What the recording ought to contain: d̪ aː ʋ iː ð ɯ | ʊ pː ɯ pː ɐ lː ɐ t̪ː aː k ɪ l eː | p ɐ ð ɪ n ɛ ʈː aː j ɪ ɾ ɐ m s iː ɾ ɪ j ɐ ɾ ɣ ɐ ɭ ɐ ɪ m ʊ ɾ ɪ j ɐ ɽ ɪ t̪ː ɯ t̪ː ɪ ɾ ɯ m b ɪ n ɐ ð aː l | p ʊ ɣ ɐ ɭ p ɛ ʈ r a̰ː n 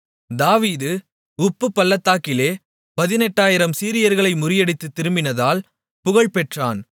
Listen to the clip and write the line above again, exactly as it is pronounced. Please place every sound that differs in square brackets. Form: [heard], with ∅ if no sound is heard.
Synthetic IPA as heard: d̪ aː ʋ iː ð ɯ | ʊ pː ɯ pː ɐ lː ɐ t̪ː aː k ɪ l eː | p ɐ ð ɪ n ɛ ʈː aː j ɪ ɾ ɐ m s iː ɾ ɪ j ɐ ɾ ɣ ɐ ɭ ɐ ɪ m ʊ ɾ ɪ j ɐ ɽ ɪ t̪ː ɯ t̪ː ɪ ɾ ɯ m b ɪ n ɐ ð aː l | p ʊ ɣ ɐ ɭ p ɛ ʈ r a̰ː n

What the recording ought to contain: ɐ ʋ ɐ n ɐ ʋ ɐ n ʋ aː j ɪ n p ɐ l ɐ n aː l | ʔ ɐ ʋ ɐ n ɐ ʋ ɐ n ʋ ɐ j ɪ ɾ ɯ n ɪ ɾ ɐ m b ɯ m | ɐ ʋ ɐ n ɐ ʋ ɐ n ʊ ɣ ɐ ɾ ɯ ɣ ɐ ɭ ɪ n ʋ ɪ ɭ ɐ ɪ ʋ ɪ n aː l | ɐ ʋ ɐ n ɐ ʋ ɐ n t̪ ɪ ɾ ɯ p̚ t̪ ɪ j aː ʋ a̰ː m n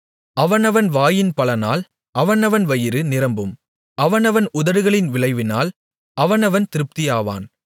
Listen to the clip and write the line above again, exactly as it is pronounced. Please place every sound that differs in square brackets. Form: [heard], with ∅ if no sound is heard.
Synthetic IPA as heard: ɐ ʋ ɐ n ɐ ʋ ɐ n ʋ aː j ɪ n p ɐ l ɐ n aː l | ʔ ɐ ʋ ɐ n ɐ ʋ ɐ n ʋ ɐ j ɪ ɾ ɯ n ɪ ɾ ɐ m b ɯ m | ɐ ʋ ɐ n ɐ ʋ ɐ n ʊ [ð] ɐ ɾ ɯ ɣ ɐ ɭ ɪ n ʋ ɪ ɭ ɐ ɪ ʋ ɪ n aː l | ɐ ʋ ɐ n ɐ ʋ ɐ n t̪ ɪ ɾ ɯ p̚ t̪ ɪ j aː ʋ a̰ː [∅] n

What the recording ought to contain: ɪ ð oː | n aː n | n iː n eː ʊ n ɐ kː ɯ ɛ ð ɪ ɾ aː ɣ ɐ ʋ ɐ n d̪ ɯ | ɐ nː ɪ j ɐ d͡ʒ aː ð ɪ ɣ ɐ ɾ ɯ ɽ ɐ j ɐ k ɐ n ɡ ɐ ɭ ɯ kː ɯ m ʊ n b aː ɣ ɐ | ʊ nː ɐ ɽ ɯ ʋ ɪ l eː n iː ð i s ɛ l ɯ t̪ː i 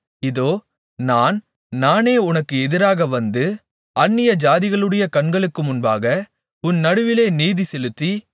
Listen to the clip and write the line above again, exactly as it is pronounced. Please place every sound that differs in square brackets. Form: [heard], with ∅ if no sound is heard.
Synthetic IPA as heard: ɪ ð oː | n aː n | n [aː] n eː ʊ n ɐ kː ɯ ɛ ð ɪ ɾ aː ɣ ɐ ʋ ɐ n d̪ ɯ | ɐ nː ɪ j ɐ d͡ʒ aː ð ɪ ɣ ɐ [ɭ] ɯ ɽ ɐ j ɐ k ɐ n ɡ ɐ ɭ ɯ kː ɯ m ʊ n b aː ɣ ɐ | ʊ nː ɐ ɽ ɯ ʋ ɪ l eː n iː ð i s ɛ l ɯ t̪ː i

